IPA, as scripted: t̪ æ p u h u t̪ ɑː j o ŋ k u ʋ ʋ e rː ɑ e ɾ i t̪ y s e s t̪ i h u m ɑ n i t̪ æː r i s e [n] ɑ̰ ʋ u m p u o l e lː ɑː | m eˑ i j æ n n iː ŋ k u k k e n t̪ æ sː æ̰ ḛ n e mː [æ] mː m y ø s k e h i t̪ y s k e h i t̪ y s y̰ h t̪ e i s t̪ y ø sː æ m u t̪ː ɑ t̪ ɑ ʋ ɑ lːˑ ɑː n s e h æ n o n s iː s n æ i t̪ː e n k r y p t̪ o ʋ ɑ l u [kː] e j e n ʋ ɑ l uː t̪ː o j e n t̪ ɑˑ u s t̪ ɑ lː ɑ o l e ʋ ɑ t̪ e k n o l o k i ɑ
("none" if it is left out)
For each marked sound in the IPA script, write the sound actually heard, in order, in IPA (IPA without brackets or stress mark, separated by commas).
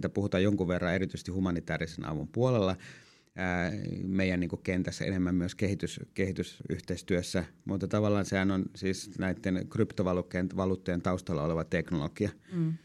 n, æ, kː